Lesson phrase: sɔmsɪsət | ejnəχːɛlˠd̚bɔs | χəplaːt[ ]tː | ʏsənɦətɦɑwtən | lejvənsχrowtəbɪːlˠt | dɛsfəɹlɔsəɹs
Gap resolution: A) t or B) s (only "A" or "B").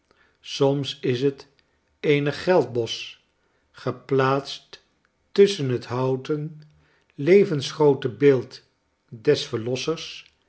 B